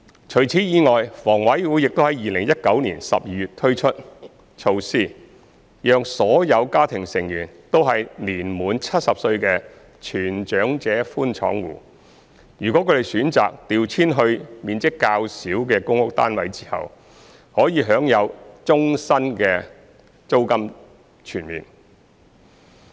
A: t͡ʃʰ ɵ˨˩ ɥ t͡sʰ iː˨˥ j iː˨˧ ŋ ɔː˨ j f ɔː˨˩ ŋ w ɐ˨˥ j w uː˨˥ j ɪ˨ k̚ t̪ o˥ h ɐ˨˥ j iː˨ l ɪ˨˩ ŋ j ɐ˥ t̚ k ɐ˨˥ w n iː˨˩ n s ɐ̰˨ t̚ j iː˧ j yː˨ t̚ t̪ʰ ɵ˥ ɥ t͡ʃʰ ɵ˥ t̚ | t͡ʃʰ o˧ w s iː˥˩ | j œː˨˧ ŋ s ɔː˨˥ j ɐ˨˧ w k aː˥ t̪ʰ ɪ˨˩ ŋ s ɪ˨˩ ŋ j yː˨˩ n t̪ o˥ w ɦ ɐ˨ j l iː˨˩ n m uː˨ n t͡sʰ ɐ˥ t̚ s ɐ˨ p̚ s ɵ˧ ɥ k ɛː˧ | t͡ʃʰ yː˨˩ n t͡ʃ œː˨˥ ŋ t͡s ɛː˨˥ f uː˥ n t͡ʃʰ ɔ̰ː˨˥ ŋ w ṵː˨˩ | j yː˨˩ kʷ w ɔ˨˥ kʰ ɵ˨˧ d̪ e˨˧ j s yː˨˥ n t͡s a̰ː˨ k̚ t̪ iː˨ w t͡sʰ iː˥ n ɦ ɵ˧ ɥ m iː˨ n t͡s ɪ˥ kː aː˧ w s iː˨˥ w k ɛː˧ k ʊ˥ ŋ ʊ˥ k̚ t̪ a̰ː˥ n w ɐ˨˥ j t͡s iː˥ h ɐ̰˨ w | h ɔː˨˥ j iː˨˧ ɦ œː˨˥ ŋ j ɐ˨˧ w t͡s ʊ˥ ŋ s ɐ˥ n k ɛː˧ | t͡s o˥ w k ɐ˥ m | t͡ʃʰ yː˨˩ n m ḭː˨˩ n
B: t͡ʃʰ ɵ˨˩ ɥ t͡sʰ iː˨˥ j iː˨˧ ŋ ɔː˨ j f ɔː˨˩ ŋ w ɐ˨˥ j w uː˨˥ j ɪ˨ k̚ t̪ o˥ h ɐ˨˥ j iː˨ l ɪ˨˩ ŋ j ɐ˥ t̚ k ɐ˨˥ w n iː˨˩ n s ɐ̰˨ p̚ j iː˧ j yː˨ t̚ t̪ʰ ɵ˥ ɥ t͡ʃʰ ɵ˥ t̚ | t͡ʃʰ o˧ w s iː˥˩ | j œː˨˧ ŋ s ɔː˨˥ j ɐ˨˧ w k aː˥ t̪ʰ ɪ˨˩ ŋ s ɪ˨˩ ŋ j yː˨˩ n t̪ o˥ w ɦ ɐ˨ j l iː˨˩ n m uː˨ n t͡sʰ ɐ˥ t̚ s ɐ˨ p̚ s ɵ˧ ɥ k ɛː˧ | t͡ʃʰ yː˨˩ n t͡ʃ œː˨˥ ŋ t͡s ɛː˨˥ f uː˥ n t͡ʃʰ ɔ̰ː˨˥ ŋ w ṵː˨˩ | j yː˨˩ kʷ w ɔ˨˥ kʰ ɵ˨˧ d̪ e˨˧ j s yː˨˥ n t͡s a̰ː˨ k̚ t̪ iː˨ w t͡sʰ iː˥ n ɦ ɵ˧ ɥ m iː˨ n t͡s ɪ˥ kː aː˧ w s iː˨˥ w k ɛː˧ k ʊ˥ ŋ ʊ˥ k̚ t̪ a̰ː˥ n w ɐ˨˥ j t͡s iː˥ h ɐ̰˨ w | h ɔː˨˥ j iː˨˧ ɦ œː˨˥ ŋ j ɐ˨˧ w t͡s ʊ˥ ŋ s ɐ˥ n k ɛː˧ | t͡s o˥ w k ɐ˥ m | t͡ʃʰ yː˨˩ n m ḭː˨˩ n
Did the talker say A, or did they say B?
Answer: B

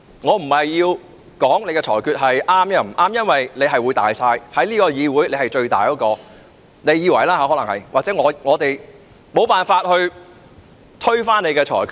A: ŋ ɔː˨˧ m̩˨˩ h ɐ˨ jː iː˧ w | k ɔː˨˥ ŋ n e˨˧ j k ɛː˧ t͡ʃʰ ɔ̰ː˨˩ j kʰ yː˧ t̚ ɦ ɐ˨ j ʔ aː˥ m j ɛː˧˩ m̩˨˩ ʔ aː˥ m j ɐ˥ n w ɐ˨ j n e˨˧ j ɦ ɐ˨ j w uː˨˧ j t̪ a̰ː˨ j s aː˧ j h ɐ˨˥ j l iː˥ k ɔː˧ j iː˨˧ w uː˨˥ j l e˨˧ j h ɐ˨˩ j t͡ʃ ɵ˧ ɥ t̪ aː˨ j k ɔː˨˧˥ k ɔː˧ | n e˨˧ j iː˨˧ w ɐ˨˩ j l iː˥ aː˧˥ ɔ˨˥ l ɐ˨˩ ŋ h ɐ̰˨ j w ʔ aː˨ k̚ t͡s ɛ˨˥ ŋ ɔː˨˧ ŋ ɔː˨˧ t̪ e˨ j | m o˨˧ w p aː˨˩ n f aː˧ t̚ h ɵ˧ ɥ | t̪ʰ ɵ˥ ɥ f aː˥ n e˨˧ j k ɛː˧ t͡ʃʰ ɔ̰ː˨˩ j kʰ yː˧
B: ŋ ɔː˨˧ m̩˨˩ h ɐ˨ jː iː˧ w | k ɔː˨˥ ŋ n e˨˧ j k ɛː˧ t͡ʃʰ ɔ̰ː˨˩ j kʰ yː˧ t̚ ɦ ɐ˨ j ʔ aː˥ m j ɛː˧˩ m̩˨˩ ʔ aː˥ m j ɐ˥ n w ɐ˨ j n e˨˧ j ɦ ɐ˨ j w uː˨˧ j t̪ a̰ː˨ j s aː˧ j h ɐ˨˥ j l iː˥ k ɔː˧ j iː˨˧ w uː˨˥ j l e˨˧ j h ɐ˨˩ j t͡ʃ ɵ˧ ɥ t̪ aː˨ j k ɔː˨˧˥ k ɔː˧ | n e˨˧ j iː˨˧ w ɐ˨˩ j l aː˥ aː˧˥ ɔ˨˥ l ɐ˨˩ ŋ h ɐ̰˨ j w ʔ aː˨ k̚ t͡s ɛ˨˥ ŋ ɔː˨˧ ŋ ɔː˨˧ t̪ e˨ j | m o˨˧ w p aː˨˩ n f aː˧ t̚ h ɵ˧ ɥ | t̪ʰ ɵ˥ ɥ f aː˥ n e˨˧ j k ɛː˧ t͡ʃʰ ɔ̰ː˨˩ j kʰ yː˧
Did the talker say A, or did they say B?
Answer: B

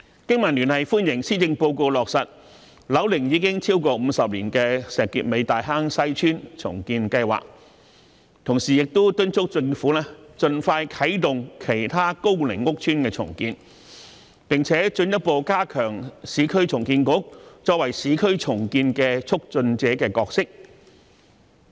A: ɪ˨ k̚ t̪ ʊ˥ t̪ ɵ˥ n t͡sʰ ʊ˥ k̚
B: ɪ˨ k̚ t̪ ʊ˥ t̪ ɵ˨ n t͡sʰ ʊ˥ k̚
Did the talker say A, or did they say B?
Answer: A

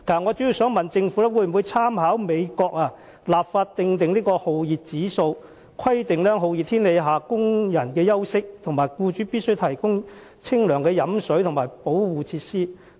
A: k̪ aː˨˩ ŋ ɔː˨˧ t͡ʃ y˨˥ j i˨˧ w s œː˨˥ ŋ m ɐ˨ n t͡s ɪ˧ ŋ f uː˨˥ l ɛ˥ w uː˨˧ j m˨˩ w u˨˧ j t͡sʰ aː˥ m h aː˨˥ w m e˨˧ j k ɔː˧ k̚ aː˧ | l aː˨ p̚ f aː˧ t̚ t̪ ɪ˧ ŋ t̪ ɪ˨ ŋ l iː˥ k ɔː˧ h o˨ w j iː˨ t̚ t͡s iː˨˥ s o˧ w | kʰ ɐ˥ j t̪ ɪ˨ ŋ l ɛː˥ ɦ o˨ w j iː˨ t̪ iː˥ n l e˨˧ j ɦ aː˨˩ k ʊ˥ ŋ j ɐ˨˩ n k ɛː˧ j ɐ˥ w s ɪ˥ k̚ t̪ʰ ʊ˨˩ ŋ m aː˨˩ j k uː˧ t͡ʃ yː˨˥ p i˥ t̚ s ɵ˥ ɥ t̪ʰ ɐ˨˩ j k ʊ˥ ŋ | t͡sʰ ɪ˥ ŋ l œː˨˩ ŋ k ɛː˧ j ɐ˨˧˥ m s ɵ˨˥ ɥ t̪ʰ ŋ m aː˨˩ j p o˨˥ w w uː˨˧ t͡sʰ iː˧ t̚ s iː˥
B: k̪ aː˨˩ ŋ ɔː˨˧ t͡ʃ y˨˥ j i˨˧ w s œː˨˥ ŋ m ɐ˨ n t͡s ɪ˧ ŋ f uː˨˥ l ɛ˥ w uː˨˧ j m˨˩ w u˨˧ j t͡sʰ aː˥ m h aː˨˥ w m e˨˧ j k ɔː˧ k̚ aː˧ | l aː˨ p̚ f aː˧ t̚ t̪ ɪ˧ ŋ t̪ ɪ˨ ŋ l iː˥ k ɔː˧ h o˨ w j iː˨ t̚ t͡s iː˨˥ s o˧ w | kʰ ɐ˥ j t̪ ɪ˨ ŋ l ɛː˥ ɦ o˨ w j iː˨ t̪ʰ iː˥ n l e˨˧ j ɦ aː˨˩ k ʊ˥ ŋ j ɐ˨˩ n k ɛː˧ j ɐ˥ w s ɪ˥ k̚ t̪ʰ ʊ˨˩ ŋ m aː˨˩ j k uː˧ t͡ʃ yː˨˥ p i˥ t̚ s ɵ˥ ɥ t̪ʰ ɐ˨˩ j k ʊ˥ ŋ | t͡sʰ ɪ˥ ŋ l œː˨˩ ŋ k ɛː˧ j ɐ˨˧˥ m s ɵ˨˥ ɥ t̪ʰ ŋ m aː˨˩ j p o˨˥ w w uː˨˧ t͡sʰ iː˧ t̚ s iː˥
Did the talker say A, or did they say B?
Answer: B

